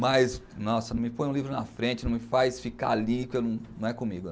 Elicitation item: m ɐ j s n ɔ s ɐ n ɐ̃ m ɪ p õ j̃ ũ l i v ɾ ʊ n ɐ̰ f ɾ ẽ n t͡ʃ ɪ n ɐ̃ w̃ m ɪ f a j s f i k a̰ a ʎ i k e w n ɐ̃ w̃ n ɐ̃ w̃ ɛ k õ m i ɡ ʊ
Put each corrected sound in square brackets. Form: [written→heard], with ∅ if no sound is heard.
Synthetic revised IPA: m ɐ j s n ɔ s ɐ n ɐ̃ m ɪ p õ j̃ ũ l i v ɾ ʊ n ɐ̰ f ɾ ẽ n t͡ʃ ɪ n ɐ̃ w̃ m ɪ f a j s f i k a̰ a [ʎ→l] i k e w n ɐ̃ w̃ n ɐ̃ w̃ ɛ k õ m i ɡ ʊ